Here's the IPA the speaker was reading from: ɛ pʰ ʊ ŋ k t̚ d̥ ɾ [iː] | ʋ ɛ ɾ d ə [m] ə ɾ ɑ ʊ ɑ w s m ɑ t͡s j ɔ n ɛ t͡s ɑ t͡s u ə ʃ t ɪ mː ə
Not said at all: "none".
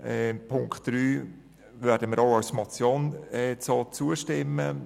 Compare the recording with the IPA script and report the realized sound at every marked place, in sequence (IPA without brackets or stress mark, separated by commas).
yː, m